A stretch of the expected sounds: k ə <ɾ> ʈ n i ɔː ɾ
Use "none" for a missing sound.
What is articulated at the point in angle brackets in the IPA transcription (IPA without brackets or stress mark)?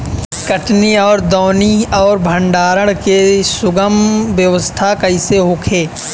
none